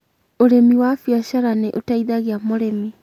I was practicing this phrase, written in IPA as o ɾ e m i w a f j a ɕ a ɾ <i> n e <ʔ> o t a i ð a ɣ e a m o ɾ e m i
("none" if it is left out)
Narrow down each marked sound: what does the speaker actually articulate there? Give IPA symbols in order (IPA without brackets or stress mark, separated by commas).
a, ʔ